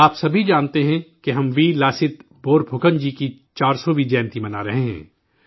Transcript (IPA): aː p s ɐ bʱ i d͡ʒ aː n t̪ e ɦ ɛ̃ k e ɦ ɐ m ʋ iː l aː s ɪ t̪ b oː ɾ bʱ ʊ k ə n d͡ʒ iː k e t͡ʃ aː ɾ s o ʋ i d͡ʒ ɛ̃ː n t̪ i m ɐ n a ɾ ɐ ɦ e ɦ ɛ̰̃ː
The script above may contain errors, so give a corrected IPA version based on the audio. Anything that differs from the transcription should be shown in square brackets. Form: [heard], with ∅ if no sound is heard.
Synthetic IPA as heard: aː p s ɐ bʱ i d͡ʒ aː n t̪ e ɦ ɛ̃ k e ɦ ɐ m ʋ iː l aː s ɪ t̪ b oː ɾ bʱ ʊ k ə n d͡ʒ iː k [i] t͡ʃ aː ɾ s o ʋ i d͡ʒ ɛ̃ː n t̪ i m ɐ n a ɾ ɐ ɦ e ɦ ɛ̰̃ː